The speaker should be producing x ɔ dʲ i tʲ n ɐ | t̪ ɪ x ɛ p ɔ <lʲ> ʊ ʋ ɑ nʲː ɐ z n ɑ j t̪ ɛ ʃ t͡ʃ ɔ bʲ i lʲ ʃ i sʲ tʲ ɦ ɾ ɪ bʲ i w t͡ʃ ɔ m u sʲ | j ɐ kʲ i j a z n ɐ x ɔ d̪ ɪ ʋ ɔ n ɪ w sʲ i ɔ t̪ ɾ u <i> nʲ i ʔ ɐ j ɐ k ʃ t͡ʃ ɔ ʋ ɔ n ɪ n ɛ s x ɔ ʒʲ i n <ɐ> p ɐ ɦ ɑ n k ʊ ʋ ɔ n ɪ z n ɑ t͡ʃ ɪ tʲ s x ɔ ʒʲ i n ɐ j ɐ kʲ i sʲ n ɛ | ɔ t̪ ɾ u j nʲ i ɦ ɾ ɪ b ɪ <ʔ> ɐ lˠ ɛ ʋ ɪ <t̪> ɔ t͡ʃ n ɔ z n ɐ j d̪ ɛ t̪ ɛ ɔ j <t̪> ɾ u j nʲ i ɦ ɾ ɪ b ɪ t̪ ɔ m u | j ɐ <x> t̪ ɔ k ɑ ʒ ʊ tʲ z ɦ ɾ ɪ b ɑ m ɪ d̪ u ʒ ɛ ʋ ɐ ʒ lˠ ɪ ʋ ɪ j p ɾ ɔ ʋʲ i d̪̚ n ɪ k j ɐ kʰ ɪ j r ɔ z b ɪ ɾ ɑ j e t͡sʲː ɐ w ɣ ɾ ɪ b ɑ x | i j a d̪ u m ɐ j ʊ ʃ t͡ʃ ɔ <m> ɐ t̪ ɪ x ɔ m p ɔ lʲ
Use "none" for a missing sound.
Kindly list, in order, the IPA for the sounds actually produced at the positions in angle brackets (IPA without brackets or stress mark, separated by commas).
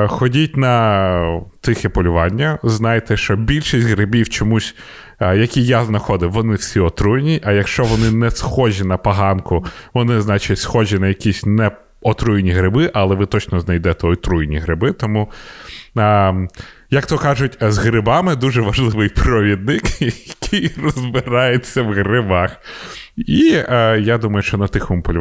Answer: lʲ, j, ɐ, ʔ, t̪, t̪, k, n